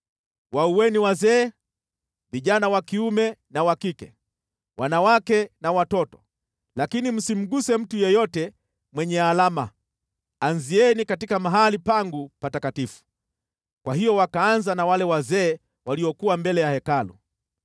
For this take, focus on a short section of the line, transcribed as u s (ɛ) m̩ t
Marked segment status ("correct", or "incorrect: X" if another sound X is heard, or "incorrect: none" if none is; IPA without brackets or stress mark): correct